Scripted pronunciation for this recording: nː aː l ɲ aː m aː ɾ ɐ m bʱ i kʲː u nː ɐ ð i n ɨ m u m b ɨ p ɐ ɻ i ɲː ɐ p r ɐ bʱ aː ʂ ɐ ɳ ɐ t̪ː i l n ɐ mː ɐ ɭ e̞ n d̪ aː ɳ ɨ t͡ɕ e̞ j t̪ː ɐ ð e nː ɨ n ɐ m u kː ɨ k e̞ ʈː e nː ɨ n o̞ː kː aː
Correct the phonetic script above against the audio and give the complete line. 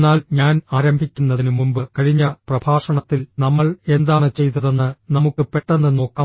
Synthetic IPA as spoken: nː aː l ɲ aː n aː ɾ ɐ m bʱ i kʲː u nː ɐ ð i n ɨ m u m b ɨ k ɐ ɻ i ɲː ɐ p r ɐ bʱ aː ʂ ɐ ɳ ɐ t̪ː i l n ɐ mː ɐ ɭ e̞ n d̪ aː ɳ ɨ t͡ɕ e̞ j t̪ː ɐ ð e nː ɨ n ɐ m u kː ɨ p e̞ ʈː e nː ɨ n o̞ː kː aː